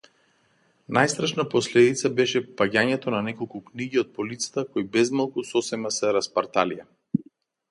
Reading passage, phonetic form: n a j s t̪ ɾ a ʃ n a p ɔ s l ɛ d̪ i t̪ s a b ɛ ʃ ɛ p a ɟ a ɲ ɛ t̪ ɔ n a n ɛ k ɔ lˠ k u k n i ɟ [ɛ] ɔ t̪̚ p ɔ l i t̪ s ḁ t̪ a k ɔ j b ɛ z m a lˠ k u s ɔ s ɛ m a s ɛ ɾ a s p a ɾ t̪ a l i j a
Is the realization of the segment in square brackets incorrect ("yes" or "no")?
yes